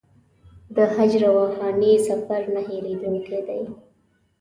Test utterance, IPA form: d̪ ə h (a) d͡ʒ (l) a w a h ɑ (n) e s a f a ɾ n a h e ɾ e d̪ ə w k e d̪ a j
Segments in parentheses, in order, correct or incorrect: correct, incorrect: ɾ, correct

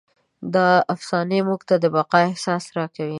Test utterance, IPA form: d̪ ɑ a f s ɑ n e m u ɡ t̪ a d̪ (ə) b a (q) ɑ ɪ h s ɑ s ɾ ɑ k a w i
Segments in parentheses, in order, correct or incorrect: correct, correct

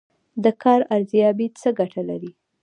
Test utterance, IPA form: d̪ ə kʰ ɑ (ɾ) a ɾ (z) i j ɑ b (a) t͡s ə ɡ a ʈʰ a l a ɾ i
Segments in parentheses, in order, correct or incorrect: correct, correct, incorrect: i

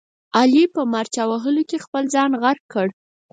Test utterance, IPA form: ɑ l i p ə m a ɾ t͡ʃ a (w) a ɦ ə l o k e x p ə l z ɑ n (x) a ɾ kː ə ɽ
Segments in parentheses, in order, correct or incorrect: correct, incorrect: ɣ

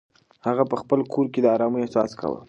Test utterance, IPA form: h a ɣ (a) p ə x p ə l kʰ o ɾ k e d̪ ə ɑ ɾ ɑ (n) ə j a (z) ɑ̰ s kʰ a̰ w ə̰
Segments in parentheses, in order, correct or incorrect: correct, incorrect: m, incorrect: s

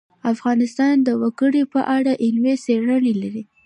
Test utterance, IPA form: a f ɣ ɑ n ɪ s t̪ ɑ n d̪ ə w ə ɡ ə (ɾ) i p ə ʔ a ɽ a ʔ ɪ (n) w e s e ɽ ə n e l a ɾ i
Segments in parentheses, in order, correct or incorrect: incorrect: ɽ, correct

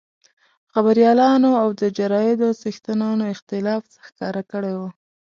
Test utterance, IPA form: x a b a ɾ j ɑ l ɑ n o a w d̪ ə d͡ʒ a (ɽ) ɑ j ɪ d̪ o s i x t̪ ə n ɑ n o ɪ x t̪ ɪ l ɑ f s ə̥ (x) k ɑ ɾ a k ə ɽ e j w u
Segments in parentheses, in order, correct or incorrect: incorrect: ɾ, correct

